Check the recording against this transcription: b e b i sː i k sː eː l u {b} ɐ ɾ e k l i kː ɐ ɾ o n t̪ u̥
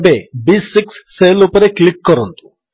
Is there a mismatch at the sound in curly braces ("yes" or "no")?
yes